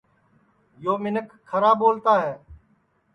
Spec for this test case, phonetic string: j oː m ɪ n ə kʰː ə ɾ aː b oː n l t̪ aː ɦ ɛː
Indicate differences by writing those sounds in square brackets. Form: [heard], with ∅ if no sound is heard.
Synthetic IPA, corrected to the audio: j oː m ɪ n ə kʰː ə ɾ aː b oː [∅] l t̪ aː ɦ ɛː